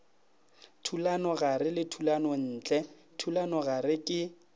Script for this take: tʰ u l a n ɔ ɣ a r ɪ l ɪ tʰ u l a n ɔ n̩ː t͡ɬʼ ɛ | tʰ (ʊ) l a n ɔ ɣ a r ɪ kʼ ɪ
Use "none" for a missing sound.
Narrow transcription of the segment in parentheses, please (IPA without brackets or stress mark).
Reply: u